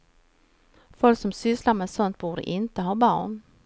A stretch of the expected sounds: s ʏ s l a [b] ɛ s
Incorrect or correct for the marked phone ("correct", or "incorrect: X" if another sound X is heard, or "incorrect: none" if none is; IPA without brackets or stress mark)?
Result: incorrect: m